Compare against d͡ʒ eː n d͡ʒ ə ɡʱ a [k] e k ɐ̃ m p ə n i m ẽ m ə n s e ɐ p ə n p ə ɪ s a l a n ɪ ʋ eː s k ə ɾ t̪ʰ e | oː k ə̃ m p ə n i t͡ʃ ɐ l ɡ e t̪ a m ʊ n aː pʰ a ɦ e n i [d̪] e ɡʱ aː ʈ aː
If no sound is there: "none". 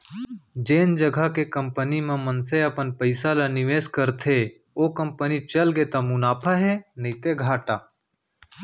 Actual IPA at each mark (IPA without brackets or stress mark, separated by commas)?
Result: k, t̪